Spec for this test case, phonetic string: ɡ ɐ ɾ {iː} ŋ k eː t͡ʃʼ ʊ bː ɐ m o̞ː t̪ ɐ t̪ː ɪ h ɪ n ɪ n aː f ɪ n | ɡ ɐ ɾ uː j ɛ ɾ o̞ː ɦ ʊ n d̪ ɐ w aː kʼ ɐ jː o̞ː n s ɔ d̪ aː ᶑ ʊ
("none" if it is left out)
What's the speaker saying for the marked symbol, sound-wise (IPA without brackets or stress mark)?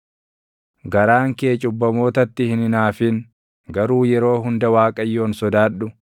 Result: aː